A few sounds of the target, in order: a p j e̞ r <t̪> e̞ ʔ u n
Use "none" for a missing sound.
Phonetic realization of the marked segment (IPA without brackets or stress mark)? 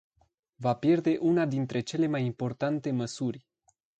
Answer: d̪